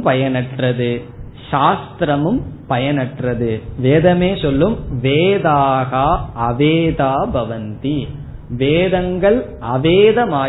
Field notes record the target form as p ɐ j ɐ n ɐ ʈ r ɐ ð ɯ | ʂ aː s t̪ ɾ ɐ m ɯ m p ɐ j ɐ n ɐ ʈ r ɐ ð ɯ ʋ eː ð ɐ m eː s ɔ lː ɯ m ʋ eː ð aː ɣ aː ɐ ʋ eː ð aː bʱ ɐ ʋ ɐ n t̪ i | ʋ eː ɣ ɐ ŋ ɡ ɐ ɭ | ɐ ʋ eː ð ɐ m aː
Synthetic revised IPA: p ɐ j ɐ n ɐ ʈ r ɐ ð ɯ | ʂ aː s t̪ ɾ ɐ m ɯ m p ɐ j ɐ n ɐ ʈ r ɐ ð ɯ ʋ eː ð ɐ m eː s ɔ lː ɯ m ʋ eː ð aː ɣ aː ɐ ʋ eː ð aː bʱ ɐ ʋ ɐ n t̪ i | ʋ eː ð ɐ ŋ ɡ ɐ ɭ | ɐ ʋ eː ð ɐ m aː